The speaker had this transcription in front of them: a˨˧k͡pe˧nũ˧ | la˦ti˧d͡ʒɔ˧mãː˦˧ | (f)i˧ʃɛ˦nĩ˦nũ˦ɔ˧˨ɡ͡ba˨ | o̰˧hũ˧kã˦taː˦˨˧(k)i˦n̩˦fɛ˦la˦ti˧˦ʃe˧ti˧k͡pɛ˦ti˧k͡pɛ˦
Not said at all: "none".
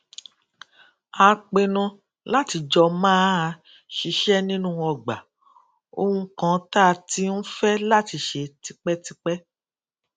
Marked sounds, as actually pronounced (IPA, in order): ʃ, t

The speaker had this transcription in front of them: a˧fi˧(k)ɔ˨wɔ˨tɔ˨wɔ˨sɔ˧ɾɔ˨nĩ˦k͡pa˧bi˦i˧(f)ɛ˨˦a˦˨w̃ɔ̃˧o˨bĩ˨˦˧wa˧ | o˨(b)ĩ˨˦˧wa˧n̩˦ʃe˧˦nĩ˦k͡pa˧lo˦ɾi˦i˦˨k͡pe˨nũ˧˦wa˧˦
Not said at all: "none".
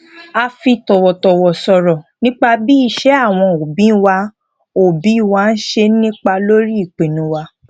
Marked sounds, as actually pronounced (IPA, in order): t, ʃ, b

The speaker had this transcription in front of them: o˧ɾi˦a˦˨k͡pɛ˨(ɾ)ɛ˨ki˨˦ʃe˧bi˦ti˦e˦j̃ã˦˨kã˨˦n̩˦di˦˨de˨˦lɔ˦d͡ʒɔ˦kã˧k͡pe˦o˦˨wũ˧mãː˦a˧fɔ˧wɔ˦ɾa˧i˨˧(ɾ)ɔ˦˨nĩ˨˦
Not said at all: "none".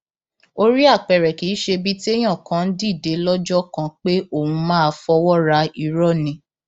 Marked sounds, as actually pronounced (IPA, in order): ɾ, ɾ

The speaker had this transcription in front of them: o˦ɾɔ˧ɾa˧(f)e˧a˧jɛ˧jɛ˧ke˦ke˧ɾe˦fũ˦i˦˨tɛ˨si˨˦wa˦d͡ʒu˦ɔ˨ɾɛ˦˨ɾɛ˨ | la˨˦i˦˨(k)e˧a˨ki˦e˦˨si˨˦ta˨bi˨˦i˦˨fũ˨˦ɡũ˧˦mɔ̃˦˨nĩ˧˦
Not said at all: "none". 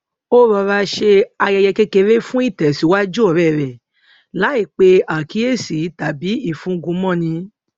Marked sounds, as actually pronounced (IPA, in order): ʃ, k͡p

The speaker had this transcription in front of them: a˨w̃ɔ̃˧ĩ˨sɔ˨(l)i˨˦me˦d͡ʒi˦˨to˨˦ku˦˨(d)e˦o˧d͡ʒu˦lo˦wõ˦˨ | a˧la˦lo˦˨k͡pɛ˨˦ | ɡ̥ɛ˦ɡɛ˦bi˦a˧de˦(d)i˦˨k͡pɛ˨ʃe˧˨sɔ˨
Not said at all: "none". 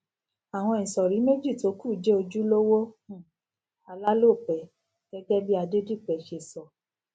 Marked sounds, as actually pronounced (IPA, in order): ɾ, d͡ʒ, d

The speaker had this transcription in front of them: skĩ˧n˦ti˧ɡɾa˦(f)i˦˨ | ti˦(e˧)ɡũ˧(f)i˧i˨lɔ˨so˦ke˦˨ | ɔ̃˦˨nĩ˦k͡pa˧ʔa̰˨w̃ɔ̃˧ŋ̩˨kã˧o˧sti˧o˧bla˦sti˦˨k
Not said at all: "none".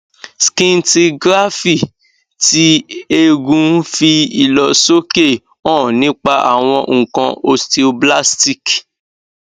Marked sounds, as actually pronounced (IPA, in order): f, e˧, f

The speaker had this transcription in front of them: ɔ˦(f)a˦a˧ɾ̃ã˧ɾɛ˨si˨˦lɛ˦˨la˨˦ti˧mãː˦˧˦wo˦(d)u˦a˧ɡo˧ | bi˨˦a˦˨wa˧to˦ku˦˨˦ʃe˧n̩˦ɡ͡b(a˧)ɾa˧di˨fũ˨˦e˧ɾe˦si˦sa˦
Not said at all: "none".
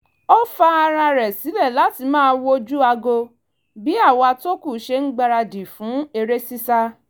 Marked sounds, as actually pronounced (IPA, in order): f, d͡ʒ, a˧

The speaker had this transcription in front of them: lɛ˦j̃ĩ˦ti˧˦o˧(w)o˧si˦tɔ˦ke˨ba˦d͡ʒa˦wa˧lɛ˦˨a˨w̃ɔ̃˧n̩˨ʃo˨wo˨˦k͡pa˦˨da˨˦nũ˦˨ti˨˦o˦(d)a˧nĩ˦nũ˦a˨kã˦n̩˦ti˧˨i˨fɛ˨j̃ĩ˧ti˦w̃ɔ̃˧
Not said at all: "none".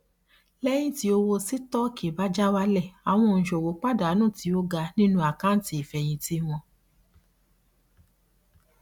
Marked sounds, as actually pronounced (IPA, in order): w, ɡ

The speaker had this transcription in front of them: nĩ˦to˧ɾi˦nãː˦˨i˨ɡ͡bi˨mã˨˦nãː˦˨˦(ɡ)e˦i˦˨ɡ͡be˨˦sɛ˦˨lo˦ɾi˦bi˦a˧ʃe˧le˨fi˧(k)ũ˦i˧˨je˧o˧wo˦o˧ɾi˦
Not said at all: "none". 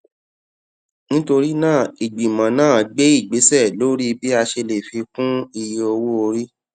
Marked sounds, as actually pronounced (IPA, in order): ɡ͡b, k

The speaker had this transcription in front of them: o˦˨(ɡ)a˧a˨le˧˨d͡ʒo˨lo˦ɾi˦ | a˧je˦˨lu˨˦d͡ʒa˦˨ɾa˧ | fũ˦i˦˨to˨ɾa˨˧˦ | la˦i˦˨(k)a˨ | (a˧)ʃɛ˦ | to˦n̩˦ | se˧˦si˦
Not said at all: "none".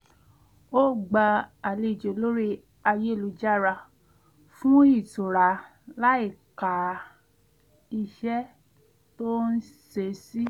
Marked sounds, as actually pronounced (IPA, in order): ɡ͡b, k, i˧

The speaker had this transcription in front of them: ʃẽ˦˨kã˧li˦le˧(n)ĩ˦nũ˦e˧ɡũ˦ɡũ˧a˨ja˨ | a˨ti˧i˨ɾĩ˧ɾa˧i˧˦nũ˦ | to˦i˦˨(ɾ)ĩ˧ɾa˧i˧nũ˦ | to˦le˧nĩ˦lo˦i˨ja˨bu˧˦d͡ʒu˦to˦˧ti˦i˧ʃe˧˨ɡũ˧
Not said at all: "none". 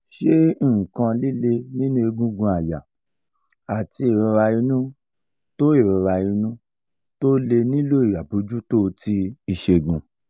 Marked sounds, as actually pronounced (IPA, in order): n, ɾ

